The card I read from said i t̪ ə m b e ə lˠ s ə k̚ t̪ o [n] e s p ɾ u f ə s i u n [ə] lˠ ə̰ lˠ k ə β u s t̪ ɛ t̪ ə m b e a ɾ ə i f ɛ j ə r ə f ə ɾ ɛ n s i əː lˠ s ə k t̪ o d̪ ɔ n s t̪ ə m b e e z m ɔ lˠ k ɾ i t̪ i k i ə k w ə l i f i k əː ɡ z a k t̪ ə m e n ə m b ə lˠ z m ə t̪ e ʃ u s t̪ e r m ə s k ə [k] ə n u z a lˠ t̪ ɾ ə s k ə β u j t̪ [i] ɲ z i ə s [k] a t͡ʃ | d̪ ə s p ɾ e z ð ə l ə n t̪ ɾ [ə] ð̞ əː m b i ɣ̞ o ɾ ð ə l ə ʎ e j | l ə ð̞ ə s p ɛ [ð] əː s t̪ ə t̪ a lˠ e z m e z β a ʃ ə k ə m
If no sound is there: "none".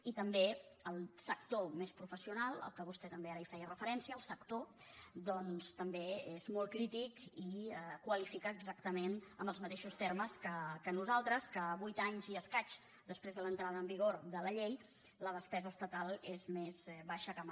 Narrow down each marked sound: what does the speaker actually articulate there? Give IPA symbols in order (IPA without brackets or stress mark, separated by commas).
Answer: m, a, k, a, k, a, z